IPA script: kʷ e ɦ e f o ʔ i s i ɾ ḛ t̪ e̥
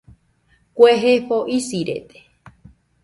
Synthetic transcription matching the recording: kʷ e ɦ e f o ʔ i s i ɾ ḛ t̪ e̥